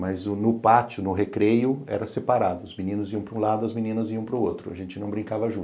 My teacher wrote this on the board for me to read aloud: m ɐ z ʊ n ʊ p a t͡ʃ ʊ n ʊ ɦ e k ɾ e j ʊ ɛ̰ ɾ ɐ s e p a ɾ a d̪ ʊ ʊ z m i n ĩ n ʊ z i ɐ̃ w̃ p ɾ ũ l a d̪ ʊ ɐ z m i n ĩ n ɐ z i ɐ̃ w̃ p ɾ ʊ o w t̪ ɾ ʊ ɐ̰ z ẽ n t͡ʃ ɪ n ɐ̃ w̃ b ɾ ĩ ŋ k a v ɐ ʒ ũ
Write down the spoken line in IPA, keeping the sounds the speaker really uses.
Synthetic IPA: m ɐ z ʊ n ʊ p a t͡ʃ ʊ n ʊ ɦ e k ɾ e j ʊ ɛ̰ ɾ ɐ s e p a ɾ a d̪ ʊ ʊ z m i n ĩ n ʊ z i ɐ̃ w̃ p ɾ ũ l a d̪ ʊ ɐ z m i n ĩ n ɐ z i ɐ̃ w̃ p ɾ ʊ o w t̪ ɾ ʊ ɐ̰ ʒ ẽ n t͡ʃ ɪ n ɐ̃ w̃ b ɾ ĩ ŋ k a v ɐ ʒ ũ